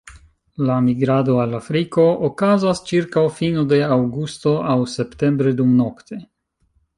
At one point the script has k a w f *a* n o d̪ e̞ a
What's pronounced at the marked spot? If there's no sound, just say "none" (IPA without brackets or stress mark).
i